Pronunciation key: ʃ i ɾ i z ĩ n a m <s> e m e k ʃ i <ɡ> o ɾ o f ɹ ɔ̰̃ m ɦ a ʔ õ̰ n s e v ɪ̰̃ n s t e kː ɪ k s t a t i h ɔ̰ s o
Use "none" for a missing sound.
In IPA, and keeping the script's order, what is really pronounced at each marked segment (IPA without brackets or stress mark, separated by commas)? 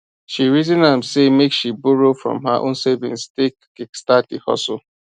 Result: s, b